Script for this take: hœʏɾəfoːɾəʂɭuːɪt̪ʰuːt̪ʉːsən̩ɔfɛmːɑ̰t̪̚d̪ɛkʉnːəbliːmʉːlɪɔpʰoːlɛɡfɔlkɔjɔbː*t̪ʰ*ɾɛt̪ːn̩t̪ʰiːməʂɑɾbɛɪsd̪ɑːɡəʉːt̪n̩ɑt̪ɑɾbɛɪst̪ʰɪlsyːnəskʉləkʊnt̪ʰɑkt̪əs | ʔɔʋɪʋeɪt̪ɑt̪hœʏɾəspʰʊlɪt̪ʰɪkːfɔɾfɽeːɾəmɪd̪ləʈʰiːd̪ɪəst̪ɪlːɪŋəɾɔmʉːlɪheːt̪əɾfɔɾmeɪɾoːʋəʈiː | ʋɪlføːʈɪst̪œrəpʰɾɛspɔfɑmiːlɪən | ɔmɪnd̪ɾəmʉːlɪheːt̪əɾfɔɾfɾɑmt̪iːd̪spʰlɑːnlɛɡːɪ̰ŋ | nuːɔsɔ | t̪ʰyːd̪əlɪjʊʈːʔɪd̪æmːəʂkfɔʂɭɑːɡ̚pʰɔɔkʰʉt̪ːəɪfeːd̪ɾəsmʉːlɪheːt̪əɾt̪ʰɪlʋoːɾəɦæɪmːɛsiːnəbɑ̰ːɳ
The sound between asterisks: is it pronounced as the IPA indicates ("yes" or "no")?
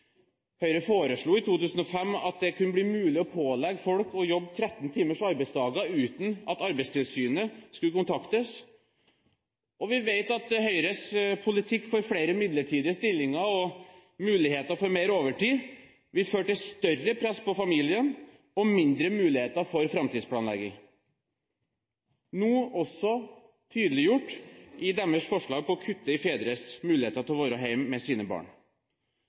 yes